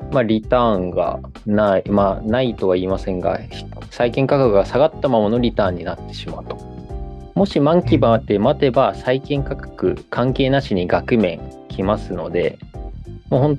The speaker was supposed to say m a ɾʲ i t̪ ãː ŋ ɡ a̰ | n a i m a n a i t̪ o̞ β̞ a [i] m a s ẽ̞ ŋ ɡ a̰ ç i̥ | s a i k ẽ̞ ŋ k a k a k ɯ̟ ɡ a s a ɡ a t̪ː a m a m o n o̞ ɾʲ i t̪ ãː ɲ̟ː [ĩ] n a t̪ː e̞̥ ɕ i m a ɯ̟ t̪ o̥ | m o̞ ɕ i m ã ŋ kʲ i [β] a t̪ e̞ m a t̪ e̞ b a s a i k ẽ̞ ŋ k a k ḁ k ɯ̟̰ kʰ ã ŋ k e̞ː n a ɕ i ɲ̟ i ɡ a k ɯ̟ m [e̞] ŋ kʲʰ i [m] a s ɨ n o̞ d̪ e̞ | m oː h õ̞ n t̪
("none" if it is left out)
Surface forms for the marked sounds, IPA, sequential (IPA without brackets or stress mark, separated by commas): iː, i, b, ẽ̞, m